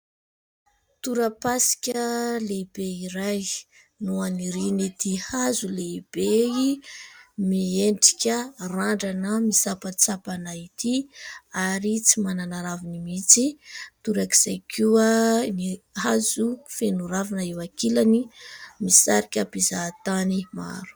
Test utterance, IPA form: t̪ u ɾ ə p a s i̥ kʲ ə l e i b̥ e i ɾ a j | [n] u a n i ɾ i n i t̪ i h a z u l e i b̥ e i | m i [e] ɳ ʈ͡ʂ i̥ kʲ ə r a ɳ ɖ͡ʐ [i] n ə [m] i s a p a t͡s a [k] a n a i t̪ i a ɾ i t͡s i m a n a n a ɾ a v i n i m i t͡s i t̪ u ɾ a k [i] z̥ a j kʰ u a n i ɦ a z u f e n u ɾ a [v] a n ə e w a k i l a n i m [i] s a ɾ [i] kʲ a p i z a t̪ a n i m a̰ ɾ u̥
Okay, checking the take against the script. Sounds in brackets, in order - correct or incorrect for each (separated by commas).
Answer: correct, correct, incorrect, correct, incorrect, correct, correct, correct, correct